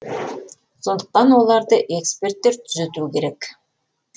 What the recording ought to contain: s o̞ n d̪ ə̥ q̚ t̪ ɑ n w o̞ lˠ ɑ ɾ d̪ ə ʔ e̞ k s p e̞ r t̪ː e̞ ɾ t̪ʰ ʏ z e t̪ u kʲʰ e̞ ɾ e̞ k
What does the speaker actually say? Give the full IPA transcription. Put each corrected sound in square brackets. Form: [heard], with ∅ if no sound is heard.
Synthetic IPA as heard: s o̞ n d̪ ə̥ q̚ t̪ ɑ n w o̞ lˠ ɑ ɾ d̪ ə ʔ e̞ k s p e̞ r t̪ː e̞ ɾ t̪ʰ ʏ z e t̪ u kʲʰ e̞ ɾ e̞ k

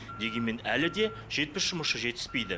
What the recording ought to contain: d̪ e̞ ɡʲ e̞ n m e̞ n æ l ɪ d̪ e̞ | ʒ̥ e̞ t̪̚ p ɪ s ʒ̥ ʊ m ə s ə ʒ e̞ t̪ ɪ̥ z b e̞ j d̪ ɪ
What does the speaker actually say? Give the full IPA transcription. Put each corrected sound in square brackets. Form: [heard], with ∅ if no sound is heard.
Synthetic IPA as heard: d̪ e̞ ɡʲ e̞ n m e̞ n æ l ɪ d̪ e̞ | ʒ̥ e̞ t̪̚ p ɪ s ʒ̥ ʊ m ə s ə ʒ e̞ t̪ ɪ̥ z [p] e̞ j d̪ ɪ

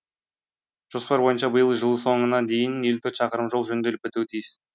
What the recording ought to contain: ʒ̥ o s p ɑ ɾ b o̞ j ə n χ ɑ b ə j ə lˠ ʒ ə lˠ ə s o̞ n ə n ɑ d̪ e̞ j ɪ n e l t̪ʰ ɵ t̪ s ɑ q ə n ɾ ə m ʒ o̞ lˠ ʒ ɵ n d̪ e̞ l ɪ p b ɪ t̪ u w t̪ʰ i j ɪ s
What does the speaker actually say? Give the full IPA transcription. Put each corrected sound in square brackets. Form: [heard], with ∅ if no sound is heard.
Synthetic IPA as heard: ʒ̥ o s p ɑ ɾ b o̞ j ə n [ʃ] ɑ b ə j ə lˠ ʒ ə lˠ ə s o̞ [ɴ] ə n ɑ d̪ e̞ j ɪ n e l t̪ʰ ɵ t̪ [ʃ] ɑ q ə [∅] ɾ ə m ʒ o̞ lˠ ʒ ɵ n d̪ e̞ l ɪ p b ɪ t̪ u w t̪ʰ i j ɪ s

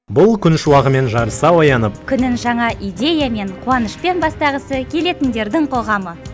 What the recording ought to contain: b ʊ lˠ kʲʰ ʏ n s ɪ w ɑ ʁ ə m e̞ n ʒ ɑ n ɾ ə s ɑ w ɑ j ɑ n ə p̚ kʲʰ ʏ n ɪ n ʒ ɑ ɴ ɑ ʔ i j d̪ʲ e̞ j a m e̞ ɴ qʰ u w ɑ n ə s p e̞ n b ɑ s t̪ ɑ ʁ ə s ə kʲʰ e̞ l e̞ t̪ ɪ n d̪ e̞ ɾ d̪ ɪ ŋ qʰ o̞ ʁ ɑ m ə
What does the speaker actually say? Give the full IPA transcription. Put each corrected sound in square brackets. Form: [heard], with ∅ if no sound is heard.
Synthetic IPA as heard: b ʊ lˠ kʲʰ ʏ n [ʃ] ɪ w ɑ ʁ ə m e̞ n ʒ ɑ [∅] ɾ ə s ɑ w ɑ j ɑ n ə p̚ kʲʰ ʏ n ɪ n ʒ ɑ ɴ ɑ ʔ i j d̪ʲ e̞ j a m e̞ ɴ qʰ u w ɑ n ə [ʃ] p e̞ n b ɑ s t̪ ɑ ʁ ə s ə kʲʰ e̞ l e̞ t̪ ɪ n d̪ e̞ ɾ d̪ ɪ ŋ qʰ o̞ ʁ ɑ m ə

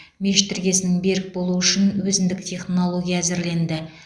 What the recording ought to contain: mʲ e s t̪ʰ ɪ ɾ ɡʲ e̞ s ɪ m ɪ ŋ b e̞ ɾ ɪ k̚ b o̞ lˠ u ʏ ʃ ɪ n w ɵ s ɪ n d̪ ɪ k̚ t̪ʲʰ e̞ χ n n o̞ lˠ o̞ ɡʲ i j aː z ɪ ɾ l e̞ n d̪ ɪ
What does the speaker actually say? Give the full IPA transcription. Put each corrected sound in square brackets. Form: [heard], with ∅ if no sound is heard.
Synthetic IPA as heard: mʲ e [ʃ] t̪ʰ ɪ ɾ ɡʲ e̞ s ɪ [n] ɪ ŋ b e̞ ɾ ɪ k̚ b o̞ lˠ u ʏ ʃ ɪ n w ɵ [z] ɪ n d̪ ɪ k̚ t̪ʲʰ e̞ χ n n o̞ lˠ o̞ ɡʲ i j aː z ɪ ɾ l e̞ n d̪ ɪ

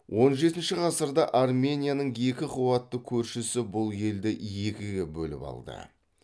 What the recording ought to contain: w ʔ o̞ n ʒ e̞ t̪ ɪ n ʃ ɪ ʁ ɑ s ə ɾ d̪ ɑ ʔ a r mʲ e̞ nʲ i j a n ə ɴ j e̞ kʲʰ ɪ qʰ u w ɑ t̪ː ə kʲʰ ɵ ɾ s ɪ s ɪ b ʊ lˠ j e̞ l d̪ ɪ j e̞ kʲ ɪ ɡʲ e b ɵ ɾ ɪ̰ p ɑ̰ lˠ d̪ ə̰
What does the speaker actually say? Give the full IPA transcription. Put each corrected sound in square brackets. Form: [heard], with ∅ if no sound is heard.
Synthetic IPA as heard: w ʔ o̞ n ʒ e̞ t̪ ɪ n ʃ ɪ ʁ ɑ s ə ɾ d̪ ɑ ʔ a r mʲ e̞ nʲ i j a n ə ɴ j e̞ [kʲ] ɪ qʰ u w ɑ t̪ː ə kʲʰ ɵ ɾ [ʃ] ɪ s ɪ b ʊ lˠ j e̞ l d̪ ɪ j e̞ kʲ ɪ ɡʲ e b ɵ [l] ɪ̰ p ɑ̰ lˠ d̪ ə̰

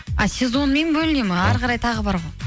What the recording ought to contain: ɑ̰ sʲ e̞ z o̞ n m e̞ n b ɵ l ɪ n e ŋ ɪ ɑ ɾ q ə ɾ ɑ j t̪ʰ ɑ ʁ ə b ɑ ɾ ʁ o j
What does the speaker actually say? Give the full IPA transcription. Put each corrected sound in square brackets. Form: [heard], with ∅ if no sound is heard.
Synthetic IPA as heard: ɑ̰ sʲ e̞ z o̞ n m e̞ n b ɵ l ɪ n e [m] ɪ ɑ ɾ q [ɑ] ɾ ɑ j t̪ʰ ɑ ʁ ə b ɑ ɾ ʁ o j

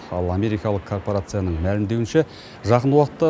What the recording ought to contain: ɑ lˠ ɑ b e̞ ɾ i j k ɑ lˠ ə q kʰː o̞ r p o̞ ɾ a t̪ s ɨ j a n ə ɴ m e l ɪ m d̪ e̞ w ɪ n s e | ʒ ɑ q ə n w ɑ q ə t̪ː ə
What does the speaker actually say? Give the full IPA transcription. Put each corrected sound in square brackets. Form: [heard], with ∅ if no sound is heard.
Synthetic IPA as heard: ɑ lˠ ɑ [m] e̞ ɾ i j k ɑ lˠ ə q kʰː o̞ r p o̞ ɾ a t̪ s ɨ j a n ə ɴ m [æ] l ɪ m d̪ e̞ w ɪ n [ʃ] e | ʒ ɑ q ə n w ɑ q ə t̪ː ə

